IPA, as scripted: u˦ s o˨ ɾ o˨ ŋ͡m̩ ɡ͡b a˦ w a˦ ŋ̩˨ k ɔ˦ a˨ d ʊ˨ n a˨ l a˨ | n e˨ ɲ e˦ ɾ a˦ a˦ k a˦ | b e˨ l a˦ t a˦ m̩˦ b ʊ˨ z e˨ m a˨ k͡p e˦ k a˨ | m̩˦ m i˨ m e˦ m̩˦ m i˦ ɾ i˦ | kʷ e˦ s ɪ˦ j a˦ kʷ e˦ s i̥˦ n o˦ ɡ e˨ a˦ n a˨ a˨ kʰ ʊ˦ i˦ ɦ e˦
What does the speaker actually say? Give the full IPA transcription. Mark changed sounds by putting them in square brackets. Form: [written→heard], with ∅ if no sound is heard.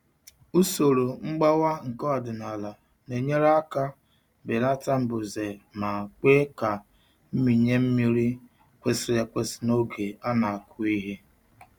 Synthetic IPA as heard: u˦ s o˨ ɾ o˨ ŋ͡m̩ ɡ͡b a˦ w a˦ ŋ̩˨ k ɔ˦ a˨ d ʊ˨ n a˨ l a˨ | n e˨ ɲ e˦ ɾ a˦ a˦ k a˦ | b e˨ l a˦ t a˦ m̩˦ b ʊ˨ z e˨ m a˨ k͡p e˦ k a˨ | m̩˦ m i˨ [m→ɲ] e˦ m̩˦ m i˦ ɾ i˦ | kʷ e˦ s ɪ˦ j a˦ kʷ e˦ s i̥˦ n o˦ ɡ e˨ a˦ n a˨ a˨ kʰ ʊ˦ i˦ ɦ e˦